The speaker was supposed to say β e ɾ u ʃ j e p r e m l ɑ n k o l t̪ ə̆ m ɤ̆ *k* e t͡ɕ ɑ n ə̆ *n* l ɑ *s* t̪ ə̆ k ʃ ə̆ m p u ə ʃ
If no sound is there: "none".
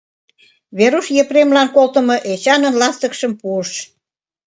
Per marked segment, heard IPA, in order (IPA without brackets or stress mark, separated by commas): ʔ, n, s